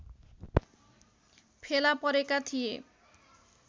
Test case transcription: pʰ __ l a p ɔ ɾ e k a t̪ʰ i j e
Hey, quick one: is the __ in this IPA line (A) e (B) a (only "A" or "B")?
A